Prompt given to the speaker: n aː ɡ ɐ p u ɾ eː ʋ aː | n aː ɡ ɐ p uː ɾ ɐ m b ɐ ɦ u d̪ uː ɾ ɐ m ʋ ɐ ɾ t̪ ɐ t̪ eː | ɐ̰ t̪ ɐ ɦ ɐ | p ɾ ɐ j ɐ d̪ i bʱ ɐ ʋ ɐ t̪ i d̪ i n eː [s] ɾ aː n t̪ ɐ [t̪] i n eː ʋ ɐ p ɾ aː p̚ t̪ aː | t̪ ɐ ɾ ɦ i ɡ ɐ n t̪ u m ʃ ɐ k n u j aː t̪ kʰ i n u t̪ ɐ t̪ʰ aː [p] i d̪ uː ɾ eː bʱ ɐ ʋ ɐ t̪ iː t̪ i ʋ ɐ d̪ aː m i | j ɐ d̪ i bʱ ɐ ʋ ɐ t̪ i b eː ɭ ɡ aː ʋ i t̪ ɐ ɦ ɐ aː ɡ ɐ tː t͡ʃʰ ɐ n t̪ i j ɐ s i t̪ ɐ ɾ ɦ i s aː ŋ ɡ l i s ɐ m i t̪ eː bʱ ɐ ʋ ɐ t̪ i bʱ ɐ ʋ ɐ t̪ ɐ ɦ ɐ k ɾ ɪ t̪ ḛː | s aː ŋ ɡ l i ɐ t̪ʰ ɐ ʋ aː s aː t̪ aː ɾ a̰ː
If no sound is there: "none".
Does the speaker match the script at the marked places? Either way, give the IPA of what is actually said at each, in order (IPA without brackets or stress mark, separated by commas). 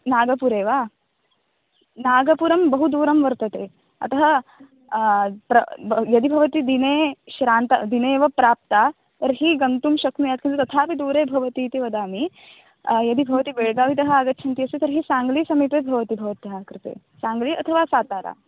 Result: ʃ, d̪, p